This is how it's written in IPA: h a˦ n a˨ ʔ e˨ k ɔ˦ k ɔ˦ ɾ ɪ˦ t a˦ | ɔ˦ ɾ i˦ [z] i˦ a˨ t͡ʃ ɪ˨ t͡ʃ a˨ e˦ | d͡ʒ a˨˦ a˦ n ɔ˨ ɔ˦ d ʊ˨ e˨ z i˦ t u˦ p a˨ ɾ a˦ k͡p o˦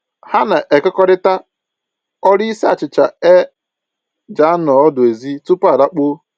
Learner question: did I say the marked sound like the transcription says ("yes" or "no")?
no